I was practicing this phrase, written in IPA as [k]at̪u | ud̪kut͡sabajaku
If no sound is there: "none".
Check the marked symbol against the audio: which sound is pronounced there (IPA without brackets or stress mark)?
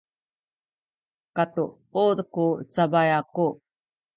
k